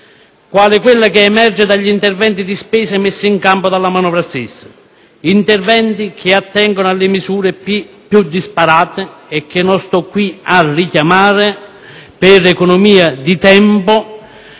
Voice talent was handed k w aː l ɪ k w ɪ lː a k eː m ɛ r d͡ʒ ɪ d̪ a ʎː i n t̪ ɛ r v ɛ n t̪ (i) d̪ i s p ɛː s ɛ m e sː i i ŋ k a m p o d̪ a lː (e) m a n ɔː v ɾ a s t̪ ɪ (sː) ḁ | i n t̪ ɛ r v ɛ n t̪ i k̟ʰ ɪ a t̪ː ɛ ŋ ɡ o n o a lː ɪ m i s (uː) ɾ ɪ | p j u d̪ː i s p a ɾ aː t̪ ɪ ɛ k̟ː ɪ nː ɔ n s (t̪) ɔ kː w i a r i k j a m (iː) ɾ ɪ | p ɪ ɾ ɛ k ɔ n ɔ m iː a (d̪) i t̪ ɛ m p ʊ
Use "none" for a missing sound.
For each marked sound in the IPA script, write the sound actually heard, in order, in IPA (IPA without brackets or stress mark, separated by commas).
i, a, sː, uː, t̪, aː, d̪